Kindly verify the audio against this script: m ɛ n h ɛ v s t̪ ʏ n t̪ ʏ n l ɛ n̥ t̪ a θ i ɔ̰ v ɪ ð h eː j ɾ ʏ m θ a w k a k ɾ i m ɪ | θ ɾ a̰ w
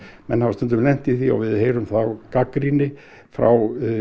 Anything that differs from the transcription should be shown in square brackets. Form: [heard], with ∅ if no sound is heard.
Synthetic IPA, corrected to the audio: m ɛ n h [a] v s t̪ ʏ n t̪ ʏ [m] l ɛ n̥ t̪ [i] θ i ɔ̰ v ɪ ð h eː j ɾ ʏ m θ a w k a k ɾ i [n] ɪ | [f] ɾ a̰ w